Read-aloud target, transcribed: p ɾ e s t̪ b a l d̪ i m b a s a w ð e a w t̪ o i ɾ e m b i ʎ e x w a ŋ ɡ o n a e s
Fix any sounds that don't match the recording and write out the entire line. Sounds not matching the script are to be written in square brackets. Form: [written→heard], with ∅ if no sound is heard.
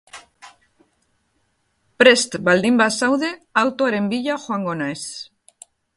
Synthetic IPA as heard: p ɾ e s t̪ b a l d̪ i m b a s a w ð e a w t̪ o [i→a] ɾ e m b i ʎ [e→a] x w a ŋ ɡ o n a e s